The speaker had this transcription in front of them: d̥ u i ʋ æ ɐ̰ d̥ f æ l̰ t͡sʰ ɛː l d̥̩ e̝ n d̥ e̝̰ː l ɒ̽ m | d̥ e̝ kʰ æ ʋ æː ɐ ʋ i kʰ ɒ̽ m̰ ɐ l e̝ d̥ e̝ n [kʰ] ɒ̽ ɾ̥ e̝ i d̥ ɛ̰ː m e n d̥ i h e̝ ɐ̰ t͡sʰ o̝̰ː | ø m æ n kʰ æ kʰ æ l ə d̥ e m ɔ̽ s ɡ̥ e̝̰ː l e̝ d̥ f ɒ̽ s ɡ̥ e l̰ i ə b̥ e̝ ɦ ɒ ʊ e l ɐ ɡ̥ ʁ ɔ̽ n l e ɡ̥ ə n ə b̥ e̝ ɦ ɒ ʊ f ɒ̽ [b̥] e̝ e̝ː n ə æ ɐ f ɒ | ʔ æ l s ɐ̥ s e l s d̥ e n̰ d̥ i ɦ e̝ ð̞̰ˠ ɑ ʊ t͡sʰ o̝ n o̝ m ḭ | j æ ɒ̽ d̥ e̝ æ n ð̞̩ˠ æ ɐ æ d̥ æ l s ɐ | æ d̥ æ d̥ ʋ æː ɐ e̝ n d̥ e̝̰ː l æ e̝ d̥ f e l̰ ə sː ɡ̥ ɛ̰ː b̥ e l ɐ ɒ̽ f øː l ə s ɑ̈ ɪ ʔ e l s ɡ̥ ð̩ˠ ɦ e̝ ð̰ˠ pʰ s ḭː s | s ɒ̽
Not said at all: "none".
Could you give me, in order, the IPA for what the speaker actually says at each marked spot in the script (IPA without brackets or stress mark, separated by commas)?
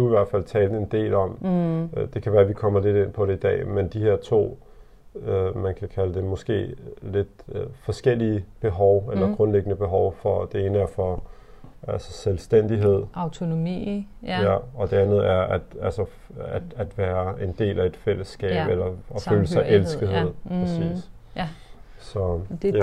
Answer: pʰ, d̥